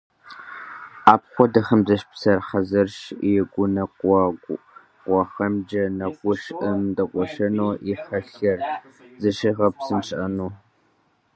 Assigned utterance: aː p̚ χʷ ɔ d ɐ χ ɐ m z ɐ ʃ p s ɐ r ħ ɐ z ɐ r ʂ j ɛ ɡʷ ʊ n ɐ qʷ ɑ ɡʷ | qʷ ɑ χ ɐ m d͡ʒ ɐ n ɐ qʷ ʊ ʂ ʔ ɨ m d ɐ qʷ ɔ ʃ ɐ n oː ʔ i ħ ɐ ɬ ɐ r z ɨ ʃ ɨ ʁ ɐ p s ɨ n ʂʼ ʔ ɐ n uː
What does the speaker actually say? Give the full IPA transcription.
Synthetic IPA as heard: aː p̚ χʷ ɔ d ɐ χ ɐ m z ɐ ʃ p s ɐ r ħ ɐ z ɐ r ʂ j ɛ ɡʷ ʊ n ɐ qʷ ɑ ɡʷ | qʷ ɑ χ ɐ m d͡ʒ ɐ n ɐ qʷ ʊ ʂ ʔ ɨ m d ɐ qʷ ɔ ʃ ɐ n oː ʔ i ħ ɐ ɬ ɐ r z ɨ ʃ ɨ ʁ ɐ p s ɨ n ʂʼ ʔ ɐ n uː